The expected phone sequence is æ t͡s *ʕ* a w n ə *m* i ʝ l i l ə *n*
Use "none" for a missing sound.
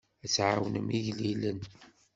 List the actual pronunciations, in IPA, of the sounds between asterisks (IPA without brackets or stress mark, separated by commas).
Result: ʕ, m, n